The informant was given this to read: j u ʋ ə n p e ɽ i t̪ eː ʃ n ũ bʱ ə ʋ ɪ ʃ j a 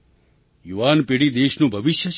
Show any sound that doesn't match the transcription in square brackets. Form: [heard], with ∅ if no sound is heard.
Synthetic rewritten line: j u ʋ [a] n p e ɽ i [d̪] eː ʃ n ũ bʱ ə ʋ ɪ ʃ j [ə]